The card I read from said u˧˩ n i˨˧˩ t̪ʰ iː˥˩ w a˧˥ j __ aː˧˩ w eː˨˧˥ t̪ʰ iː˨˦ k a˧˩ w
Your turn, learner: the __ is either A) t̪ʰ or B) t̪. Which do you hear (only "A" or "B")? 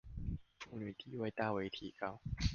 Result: B